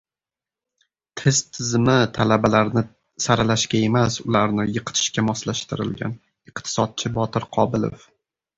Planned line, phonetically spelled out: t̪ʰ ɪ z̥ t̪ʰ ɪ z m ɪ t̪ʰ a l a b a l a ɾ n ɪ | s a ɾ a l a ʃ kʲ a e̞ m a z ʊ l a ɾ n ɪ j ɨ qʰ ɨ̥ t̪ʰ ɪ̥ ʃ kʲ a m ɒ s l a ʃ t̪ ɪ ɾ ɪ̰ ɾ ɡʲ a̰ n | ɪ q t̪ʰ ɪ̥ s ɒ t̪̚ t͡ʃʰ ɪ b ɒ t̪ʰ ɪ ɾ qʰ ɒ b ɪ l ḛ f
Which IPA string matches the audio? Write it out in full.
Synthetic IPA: t̪ʰ ɪ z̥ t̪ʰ ɪ z m ɪ t̪ʰ a l a b a l a ɾ n ɪ | s a ɾ a l a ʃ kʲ a e̞ m a s ʊ l a ɾ n ɪ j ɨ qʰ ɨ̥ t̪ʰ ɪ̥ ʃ kʲ a m ɒ s l a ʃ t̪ ɪ ɾ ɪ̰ l ɡʲ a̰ n | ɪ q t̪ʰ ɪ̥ s ɒ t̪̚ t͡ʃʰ ɪ b ɒ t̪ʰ ɪ ɾ qʰ ɒ b ɪ l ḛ f